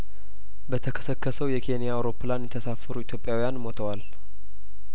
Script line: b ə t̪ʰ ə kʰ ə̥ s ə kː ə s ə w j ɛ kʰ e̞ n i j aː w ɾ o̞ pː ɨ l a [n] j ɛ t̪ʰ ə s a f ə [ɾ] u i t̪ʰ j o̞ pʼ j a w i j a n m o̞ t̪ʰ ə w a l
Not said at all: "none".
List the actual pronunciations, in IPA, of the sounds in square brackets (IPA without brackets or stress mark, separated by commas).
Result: n, ɾ